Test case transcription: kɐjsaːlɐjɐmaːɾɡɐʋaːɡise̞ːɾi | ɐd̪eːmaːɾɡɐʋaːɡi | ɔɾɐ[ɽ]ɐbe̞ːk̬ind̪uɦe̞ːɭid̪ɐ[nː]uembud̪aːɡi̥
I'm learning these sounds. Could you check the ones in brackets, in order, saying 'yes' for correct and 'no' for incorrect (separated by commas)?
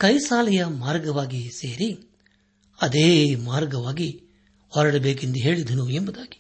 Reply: yes, no